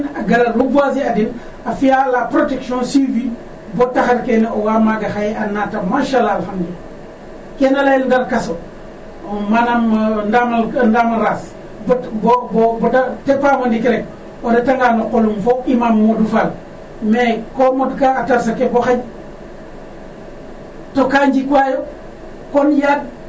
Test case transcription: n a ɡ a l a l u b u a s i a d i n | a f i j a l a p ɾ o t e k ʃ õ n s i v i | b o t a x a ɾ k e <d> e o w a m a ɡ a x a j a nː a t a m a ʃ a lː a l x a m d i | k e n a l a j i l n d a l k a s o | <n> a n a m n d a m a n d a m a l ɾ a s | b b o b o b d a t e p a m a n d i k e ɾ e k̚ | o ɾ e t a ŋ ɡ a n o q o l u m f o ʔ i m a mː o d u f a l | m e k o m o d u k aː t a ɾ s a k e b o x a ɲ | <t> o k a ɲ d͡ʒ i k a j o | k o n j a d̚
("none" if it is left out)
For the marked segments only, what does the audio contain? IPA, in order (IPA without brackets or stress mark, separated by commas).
n, m, t